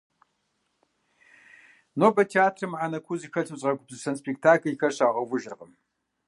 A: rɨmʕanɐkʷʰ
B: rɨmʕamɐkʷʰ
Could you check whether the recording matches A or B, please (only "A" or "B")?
A